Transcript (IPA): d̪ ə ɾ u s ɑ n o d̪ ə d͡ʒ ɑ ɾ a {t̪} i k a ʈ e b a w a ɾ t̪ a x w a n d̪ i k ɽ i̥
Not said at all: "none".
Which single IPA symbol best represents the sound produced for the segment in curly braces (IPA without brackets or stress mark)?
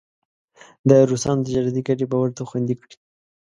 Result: d̪